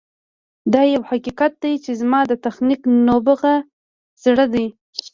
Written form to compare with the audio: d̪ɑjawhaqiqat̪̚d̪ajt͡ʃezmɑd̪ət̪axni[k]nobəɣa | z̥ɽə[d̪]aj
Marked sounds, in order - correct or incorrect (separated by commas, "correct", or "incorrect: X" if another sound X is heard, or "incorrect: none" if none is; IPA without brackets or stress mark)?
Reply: correct, correct